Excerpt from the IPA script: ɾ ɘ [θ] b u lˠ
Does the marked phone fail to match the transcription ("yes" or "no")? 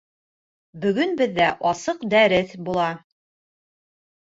no